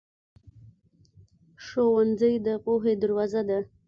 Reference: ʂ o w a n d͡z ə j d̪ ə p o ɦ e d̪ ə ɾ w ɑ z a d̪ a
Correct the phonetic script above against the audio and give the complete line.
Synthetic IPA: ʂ o w a n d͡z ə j d̪ ə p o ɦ e d̪ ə ɾ w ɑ z a d̪ a